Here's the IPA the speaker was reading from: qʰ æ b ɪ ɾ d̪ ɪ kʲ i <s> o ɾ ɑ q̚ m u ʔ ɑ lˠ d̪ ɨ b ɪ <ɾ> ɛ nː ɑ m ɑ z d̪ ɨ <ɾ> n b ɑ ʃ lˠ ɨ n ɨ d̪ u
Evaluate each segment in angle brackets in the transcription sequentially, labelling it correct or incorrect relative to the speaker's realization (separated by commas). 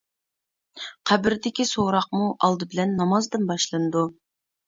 correct, incorrect, incorrect